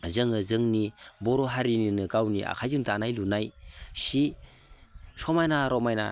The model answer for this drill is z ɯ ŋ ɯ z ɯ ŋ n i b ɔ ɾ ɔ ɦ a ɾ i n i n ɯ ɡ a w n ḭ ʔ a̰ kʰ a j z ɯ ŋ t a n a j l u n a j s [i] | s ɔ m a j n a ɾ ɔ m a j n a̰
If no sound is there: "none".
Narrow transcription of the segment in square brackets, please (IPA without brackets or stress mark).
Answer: i